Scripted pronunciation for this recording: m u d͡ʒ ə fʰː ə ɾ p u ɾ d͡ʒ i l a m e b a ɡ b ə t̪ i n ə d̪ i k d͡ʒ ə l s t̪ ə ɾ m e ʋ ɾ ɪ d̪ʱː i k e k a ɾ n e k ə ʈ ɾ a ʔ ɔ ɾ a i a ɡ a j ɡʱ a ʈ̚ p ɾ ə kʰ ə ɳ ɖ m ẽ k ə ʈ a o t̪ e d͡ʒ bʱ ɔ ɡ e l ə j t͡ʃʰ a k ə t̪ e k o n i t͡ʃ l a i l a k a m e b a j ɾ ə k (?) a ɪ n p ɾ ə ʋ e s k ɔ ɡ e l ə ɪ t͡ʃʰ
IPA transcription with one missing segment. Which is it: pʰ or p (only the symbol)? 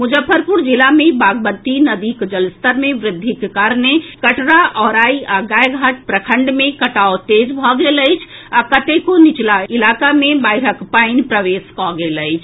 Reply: p